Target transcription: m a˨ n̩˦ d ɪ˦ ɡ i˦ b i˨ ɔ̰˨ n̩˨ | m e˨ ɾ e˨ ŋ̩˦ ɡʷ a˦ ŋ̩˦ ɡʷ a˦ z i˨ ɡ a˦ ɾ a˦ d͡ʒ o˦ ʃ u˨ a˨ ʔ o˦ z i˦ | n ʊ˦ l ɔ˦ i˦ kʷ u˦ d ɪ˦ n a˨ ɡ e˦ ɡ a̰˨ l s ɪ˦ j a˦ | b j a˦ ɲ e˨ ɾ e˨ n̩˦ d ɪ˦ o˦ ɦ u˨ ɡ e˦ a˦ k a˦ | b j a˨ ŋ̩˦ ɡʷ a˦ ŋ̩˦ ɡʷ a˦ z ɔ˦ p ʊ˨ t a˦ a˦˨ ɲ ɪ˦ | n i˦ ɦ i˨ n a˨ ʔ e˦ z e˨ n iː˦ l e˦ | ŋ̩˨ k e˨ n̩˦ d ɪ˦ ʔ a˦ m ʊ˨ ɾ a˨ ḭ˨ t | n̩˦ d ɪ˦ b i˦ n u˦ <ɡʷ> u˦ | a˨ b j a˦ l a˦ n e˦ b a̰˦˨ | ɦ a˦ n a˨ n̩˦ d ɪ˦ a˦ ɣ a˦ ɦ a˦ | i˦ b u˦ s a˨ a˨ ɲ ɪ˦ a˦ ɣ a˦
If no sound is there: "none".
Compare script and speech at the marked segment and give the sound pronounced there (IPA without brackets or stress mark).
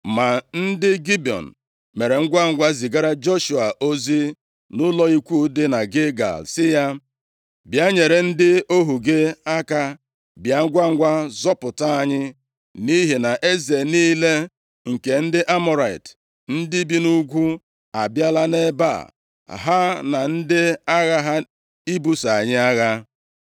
ɡʷ